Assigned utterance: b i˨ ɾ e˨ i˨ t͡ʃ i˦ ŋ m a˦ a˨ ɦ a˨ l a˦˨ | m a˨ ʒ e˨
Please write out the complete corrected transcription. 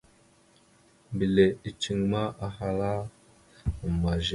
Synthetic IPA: b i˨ l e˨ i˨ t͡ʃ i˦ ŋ m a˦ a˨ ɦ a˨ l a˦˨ | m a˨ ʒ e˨